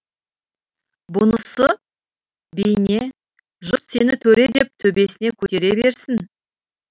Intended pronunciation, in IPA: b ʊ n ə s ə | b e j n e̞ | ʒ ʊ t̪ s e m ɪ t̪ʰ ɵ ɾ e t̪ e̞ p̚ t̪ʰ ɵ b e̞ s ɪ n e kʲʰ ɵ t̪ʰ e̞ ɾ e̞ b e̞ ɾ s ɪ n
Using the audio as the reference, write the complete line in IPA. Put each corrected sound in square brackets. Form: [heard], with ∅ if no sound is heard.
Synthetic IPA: b ʊ n ə s ə | b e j n e̞ | ʒ ʊ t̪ s e [n] ɪ t̪ʰ ɵ ɾ e [d̪] e̞ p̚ t̪ʰ ɵ b e̞ s ɪ n e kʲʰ ɵ [t̪] e̞ ɾ e̞ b e̞ ɾ s ɪ n

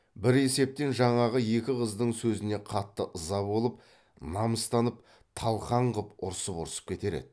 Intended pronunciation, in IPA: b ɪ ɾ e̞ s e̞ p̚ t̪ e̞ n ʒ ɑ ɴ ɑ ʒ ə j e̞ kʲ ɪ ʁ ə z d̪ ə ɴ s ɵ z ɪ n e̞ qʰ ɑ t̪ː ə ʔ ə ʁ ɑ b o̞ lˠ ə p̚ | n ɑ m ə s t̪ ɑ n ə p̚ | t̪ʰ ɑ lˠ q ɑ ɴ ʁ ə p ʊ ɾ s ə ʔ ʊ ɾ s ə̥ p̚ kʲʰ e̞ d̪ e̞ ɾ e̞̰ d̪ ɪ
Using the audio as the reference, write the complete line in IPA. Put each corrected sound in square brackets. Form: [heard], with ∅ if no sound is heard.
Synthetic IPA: b ɪ ɾ e̞ s e̞ p̚ t̪ e̞ n ʒ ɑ ɴ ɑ [ʁ] ə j e̞ kʲ ɪ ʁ ə z d̪ ə ɴ s ɵ z ɪ n e̞ qʰ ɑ t̪ː ə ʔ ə [z] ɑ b o̞ lˠ ə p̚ | n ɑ m ə s t̪ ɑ n ə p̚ | t̪ʰ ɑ lˠ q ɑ ɴ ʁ ə p ʊ ɾ s ə [p] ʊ ɾ s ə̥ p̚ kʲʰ e̞ [t̪] e̞ ɾ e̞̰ d̪ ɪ

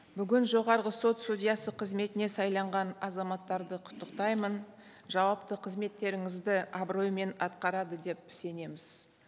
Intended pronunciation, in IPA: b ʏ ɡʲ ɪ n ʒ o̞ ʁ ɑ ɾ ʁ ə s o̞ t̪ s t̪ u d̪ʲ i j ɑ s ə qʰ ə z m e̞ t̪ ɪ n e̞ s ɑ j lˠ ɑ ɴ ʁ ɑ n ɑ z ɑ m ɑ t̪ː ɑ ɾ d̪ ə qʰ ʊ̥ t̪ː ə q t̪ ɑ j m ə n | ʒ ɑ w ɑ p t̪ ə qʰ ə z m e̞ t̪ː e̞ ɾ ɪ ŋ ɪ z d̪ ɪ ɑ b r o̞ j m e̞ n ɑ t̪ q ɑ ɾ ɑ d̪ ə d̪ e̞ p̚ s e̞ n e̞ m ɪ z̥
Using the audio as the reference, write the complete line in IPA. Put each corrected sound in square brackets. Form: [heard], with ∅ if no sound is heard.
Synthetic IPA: b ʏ ɡʲ ɪ n ʒ o̞ ʁ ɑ ɾ ʁ ə s o̞ t̪ s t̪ u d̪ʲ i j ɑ s ə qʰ ə z m e̞ t̪ ɪ n e̞ s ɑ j lˠ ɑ ɴ ʁ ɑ n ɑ z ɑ m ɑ t̪ː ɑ ɾ d̪ ə qʰ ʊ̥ t̪ː ə q t̪ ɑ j m ə n | ʒ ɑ w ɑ p t̪ ə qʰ ə z m e̞ t̪ː e̞ ɾ ɪ ŋ ɪ z d̪ ɪ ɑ b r o̞ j m e̞ n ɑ t̪ q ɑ ɾ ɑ d̪ ə d̪ e̞ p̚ s e̞ n e̞ m ɪ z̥

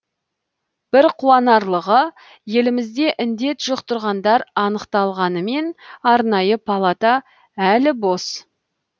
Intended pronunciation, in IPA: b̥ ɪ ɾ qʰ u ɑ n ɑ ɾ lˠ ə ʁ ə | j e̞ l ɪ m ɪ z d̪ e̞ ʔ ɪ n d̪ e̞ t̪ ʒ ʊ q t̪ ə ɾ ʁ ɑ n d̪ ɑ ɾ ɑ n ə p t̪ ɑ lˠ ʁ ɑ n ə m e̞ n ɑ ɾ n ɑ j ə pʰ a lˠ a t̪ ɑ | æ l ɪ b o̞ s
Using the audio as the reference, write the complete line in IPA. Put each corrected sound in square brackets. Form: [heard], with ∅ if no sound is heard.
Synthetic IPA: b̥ ɪ ɾ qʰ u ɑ n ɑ ɾ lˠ ə ʁ ə | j e̞ l ɪ m ɪ z d̪ e̞ ʔ ɪ n d̪ e̞ t̪ ʒ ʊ q t̪ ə ɾ ʁ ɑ n d̪ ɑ ɾ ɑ n ə [q] t̪ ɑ lˠ ʁ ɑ n ə m e̞ n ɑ ɾ n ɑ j ə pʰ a lˠ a t̪ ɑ | æ l ɪ b o̞ s

